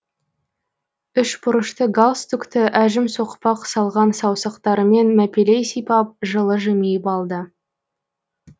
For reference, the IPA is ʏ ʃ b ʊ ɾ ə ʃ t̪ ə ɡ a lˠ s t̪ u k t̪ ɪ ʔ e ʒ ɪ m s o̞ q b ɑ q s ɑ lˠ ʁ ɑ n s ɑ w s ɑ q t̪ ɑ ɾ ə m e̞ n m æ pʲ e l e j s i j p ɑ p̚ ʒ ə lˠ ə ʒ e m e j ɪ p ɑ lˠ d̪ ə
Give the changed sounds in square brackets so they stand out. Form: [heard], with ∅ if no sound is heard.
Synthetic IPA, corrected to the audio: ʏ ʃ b ʊ ɾ ə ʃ t̪ ə ɡ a lˠ s t̪ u k t̪ ɪ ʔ [æ] ʒ ɪ m s o̞ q [p] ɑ q s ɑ lˠ ʁ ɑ n s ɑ w s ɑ q t̪ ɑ ɾ ə m e̞ n m æ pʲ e l e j s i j p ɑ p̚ ʒ ə lˠ ə ʒ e m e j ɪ p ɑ lˠ d̪ ə

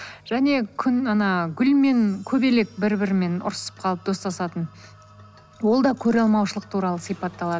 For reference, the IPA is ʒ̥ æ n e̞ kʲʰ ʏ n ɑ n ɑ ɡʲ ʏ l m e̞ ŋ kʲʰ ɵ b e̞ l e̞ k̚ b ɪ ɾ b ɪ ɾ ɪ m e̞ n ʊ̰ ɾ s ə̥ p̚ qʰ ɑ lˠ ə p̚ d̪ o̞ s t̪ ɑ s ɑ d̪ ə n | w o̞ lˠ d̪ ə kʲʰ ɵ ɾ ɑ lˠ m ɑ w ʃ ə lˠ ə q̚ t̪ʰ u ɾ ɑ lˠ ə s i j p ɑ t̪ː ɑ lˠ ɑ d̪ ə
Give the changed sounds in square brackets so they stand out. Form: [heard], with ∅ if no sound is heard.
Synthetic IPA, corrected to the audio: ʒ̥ æ n e̞ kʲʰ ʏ n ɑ n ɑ ɡʲ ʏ l m e̞ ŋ kʲʰ ɵ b e̞ l e̞ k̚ b ɪ ɾ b ɪ ɾ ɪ m e̞ n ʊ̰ ɾ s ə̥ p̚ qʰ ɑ lˠ ə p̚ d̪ o̞ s t̪ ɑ s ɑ [t̪] ə n | w o̞ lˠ d̪ [ɑ] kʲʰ ɵ ɾ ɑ lˠ m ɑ w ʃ ə lˠ ə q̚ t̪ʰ u ɾ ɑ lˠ ə s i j p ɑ t̪ː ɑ lˠ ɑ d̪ ə

